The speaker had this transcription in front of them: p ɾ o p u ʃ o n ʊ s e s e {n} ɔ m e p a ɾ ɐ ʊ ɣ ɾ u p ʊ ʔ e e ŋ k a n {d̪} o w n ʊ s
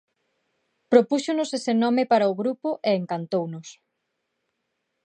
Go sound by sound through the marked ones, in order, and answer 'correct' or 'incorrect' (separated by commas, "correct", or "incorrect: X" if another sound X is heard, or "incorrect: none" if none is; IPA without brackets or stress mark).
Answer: correct, incorrect: t̪